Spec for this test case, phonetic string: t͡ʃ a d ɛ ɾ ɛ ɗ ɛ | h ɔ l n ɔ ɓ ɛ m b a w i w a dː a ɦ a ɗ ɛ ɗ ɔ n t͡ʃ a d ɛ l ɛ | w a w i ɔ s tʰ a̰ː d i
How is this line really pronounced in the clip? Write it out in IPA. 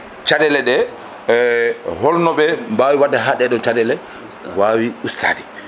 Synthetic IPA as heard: t͡ʃ a d ɛ l ɛ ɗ ɛ | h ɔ l n ɔ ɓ ɛ m b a w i w a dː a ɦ a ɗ ɛ ɗ ɔ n t͡ʃ a d ɛ l ɛ | w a w i u s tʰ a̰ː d i